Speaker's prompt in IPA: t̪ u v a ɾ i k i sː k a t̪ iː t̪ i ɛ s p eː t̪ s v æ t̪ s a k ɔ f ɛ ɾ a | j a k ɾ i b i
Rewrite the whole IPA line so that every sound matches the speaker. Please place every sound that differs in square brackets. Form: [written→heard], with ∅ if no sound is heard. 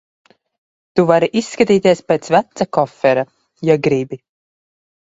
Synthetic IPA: t̪ u v a ɾ i [k→ʔ] i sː k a t̪ iː t̪ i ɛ s p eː t̪ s v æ t̪ s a k ɔ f ɛ ɾ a | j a [k→ɡ] ɾ i b i